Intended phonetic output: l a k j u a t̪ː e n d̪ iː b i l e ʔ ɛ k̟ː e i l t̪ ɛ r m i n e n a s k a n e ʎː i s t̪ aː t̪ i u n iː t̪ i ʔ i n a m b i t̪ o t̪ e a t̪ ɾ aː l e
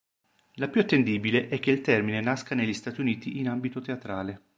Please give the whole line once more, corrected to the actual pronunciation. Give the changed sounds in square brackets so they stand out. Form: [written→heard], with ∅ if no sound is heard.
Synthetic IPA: l a [k→p] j u a t̪ː e n d̪ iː b i l e ʔ ɛ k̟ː e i l t̪ ɛ r m i n e n a s k a n e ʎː i s t̪ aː t̪ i u n iː t̪ i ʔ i n a m b i t̪ o t̪ e a t̪ ɾ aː l e